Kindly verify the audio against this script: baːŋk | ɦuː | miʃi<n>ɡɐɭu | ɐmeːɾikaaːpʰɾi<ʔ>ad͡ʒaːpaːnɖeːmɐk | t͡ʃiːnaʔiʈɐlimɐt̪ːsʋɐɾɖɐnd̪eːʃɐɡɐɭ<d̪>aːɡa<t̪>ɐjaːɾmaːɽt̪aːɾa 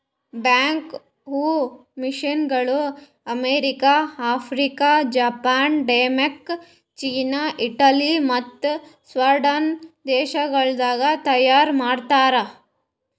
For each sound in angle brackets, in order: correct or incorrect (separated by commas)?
correct, incorrect, correct, correct